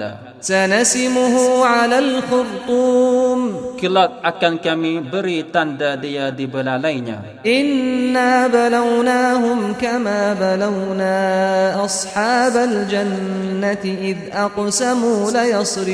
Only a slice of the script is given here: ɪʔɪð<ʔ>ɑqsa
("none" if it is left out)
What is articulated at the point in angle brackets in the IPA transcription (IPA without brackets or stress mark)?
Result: ʔ